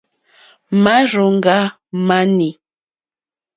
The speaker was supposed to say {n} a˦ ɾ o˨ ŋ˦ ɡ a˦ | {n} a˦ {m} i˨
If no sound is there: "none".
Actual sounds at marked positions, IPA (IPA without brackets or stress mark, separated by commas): m, m, n